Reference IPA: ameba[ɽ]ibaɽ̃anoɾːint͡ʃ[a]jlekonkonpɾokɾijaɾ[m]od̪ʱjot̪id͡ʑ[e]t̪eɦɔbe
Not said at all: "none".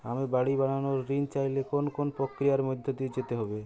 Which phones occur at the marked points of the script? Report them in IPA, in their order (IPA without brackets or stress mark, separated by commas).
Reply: ɽ, a, m, e